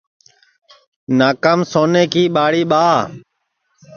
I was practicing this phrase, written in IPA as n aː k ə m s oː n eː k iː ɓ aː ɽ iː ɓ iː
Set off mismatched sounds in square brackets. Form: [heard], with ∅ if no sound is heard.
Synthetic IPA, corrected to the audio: n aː k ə m s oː n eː k iː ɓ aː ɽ iː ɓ [aː]